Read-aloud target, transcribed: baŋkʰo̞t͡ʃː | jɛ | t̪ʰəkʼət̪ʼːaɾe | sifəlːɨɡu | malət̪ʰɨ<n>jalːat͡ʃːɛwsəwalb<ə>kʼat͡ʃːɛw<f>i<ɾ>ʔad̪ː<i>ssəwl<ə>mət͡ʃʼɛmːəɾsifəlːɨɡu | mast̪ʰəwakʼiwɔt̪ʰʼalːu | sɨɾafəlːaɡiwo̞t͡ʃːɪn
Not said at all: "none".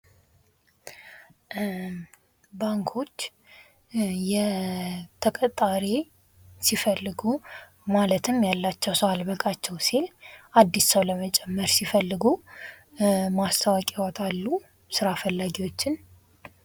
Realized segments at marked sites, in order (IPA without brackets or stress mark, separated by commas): m, ə, s, l, i, ə